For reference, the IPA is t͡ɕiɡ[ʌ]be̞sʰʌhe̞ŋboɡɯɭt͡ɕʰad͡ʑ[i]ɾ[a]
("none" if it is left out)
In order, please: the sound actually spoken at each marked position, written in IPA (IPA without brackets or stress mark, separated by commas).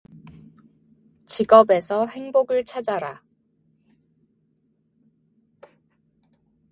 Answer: ʌ, a, a